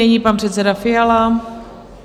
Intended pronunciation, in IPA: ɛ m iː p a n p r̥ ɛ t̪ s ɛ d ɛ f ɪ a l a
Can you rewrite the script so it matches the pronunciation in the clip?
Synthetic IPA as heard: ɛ ɲ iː p a n p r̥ ɛ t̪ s ɛ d a f ɪ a l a